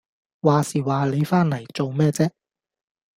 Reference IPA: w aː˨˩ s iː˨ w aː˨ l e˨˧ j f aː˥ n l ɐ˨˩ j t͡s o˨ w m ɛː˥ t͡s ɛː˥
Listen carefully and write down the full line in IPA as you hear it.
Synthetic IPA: w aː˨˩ s iː˨ w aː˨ l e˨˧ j f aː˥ n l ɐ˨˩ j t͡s o˨ w m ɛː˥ t͡s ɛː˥